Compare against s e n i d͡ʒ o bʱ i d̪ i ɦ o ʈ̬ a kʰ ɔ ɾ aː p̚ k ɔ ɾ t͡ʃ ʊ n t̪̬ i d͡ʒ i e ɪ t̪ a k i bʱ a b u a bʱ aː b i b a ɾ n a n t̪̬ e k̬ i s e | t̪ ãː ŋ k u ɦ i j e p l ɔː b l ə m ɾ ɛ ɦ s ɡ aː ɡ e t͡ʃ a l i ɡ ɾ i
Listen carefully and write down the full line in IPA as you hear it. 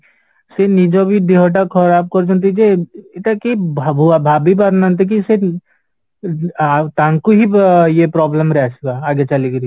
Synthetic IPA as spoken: s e n i d͡ʒ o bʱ i d̪ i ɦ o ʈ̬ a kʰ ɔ ɾ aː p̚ k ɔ ɾ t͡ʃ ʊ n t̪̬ i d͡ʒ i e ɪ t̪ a k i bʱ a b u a bʱ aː b i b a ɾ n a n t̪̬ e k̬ i s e | t̪ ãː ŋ k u ɦ i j e p ɾ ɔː b l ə m ɾ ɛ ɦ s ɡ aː ɡ e t͡ʃ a l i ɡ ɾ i